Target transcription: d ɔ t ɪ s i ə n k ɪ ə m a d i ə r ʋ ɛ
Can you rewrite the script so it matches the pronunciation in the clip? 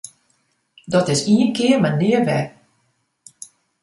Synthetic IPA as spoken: d ɔ t ɪ s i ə n k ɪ ə m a n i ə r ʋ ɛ